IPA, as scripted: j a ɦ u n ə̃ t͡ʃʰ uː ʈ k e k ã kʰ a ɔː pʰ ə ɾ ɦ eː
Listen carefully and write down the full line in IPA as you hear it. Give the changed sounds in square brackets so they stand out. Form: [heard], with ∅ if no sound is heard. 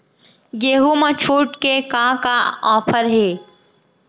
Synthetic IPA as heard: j [e] ɦ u [m] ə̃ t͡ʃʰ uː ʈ k e k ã [k] a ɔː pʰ ə ɾ ɦ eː